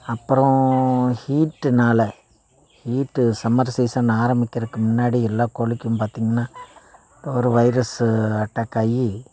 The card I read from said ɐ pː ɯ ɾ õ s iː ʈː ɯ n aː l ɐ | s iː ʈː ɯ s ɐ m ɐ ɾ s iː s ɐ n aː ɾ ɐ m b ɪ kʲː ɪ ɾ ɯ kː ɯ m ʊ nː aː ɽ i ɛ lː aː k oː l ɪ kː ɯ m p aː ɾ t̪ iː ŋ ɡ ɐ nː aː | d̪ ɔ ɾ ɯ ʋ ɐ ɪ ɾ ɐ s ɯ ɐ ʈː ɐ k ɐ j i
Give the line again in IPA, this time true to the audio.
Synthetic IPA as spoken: ɐ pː ɯ ɾ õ h iː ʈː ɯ n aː l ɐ | h iː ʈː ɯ s ɐ m ɐ ɾ s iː s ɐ n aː ɾ ɐ m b ɪ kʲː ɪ ɾ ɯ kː ɯ m ʊ nː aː ɽ i ɛ lː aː k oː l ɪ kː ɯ m p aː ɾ t̪ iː ŋ ɡ ɐ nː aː | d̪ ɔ ɾ ɯ ʋ ɐ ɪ ɾ ɐ s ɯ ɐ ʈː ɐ k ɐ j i